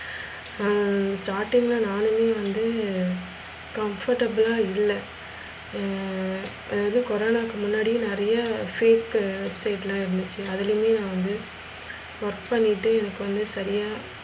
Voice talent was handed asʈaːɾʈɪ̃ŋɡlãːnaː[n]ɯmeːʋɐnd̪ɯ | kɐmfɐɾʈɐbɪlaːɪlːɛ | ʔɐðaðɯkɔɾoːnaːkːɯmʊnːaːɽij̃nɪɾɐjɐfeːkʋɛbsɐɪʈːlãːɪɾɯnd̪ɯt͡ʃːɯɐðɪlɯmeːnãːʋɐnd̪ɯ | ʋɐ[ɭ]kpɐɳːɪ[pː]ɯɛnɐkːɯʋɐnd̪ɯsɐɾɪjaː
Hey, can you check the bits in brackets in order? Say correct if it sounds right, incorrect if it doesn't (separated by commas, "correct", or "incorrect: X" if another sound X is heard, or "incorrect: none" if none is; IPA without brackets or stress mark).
correct, incorrect: ɾ, incorrect: ʈː